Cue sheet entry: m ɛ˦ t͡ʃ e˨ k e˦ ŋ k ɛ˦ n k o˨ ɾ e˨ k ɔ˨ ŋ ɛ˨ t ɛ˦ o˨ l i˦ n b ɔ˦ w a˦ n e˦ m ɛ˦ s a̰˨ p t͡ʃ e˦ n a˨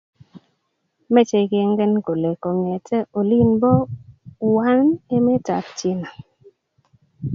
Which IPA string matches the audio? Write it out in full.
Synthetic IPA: m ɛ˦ t͡ʃ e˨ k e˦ ŋ ɡ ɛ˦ n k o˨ l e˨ k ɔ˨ ŋ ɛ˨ t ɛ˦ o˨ l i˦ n b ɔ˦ w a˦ n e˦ m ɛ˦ t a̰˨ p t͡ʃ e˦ n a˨